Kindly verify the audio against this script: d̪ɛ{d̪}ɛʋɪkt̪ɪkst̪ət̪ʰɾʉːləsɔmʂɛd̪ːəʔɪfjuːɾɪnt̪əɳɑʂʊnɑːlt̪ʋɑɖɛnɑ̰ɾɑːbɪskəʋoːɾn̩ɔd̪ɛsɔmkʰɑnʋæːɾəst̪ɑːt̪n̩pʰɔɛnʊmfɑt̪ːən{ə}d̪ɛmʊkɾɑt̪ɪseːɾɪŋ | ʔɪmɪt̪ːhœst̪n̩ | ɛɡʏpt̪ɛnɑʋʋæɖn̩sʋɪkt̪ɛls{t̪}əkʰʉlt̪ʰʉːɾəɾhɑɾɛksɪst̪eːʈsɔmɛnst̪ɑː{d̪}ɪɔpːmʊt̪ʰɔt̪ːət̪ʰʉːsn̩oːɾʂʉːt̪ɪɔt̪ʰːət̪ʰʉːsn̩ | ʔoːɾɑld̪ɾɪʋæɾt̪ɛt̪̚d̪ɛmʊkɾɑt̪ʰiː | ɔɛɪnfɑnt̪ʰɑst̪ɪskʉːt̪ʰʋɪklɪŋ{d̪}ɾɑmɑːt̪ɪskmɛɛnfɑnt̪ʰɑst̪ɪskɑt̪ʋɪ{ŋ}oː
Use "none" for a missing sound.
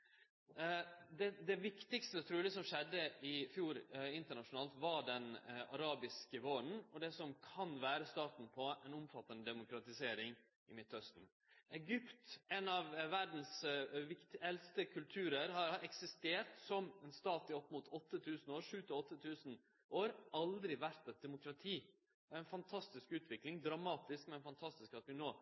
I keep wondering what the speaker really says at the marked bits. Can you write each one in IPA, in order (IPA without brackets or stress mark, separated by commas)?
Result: d̪, ə, t̪, t̪, d̪, n